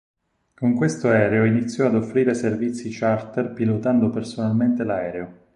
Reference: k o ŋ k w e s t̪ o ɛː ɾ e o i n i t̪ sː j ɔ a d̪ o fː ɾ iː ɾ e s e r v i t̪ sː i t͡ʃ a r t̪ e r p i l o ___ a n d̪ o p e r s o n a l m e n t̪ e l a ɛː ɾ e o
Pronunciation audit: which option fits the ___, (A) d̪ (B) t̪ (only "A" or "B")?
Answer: B